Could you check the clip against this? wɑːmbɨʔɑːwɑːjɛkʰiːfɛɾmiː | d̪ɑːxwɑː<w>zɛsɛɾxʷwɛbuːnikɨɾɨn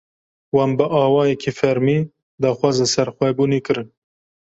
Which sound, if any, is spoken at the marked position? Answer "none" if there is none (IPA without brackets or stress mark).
none